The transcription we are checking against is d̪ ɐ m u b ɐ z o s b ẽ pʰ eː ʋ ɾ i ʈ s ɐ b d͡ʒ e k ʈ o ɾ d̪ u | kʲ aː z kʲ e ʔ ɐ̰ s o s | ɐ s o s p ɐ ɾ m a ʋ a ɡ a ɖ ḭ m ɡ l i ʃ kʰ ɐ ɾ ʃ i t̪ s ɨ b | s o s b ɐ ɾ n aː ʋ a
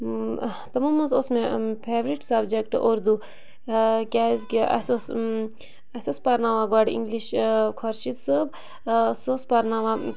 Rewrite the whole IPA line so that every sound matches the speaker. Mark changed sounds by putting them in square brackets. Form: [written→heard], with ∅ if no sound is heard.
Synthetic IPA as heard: [d̪→t̪] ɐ m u [b→m] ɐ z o s [b→m] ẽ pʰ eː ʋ ɾ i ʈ s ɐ b d͡ʒ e k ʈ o ɾ d̪ u | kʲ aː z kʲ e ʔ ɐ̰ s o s | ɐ s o s p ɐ ɾ [m→n] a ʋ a ɡ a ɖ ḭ [m→ŋ] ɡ l i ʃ kʰ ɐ ɾ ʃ i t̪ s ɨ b | s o s [b→p] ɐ ɾ n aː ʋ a